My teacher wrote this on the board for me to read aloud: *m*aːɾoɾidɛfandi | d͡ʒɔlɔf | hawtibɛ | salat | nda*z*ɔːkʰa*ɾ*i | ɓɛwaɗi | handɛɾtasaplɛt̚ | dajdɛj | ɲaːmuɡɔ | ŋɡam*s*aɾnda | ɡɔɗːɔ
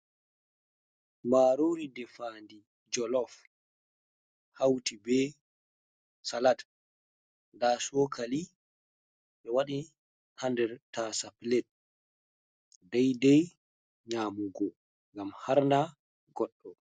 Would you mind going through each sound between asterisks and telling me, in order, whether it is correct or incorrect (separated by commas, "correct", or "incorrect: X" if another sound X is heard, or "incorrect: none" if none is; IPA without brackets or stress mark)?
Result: correct, incorrect: s, incorrect: l, incorrect: h